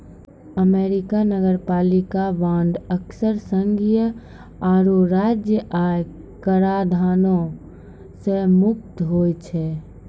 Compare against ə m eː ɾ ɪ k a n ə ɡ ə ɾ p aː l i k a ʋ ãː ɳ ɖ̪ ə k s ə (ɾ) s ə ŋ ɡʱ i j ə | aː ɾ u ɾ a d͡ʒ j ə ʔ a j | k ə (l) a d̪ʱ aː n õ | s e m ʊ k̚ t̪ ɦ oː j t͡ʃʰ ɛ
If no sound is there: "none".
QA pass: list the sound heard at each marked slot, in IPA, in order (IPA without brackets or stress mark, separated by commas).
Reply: ɾ, ɾ